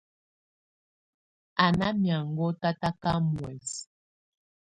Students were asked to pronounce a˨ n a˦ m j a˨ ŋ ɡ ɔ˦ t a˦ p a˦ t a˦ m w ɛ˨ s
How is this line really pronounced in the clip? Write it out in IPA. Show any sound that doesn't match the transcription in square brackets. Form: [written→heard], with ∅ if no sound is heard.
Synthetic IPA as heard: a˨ n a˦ m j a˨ ŋ ɡ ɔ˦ t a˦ [p→t] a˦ [t→k] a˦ m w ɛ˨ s

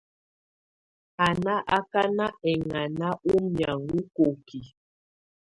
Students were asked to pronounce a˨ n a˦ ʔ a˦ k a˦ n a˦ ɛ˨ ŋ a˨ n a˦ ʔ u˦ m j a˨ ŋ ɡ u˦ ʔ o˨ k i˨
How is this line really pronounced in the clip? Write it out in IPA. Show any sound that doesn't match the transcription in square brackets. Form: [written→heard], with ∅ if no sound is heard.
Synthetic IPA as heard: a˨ n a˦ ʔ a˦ k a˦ n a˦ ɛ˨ ŋ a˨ n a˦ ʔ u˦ m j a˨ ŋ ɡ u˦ [ʔ→k] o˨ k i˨

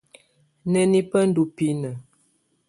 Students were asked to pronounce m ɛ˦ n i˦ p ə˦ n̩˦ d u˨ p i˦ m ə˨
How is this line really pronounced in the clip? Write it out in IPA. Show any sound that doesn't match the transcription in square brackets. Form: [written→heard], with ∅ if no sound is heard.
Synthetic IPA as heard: [m→n] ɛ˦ n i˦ p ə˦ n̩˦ d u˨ p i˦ [m→n] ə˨

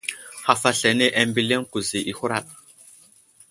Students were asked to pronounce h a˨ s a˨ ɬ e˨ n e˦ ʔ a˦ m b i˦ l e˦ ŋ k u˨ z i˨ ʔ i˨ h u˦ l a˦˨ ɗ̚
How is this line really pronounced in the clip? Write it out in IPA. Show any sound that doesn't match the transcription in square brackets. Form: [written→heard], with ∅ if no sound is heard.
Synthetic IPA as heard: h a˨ [s→f] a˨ ɬ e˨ n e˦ ʔ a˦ m b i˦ l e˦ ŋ k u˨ z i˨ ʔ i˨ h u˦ [l→ɾ] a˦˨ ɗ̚

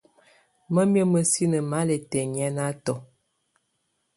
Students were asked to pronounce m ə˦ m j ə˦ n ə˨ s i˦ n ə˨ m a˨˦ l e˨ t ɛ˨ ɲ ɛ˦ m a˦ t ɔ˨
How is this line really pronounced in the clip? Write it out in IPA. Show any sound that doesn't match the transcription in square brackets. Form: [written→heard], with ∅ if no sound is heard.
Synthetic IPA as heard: m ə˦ m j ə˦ [n→m] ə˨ s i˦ n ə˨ m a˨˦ l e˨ t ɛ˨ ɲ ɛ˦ [m→n] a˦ t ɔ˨

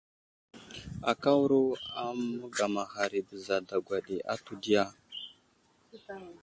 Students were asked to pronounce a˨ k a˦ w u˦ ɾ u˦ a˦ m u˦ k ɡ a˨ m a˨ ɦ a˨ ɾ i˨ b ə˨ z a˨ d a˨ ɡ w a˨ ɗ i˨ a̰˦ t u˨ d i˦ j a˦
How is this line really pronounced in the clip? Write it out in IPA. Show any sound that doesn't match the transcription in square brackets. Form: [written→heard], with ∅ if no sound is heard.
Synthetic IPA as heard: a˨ k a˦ w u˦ ɾ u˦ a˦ m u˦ [k→∅] ɡ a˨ m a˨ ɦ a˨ ɾ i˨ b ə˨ z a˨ d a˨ ɡ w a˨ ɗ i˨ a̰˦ t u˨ d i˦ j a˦

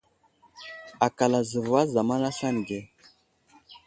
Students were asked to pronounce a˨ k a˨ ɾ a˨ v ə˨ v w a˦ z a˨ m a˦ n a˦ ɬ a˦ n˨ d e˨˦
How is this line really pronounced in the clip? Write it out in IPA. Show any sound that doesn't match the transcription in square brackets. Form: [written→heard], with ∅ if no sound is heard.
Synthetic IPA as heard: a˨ k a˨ [ɾ→l] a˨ [v→z] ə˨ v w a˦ z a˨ m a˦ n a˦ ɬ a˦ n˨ [d→ɡ] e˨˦

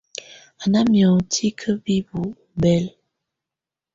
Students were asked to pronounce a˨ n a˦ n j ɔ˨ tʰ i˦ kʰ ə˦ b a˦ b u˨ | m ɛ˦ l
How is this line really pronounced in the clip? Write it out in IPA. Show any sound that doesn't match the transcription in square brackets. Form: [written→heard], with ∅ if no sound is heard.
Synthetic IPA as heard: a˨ n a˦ [n→m] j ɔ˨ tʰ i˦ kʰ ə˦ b [a˦→i˦] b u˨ | [m→b] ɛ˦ l

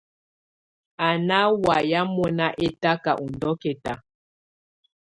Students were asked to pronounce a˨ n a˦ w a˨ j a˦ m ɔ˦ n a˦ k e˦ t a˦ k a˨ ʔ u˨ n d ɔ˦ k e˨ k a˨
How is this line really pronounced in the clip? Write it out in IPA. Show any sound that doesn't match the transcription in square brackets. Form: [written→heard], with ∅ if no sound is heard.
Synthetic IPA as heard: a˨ n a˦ w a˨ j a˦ m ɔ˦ n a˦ [k→ʔ] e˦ t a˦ k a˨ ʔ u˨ n d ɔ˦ k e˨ [k→t] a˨

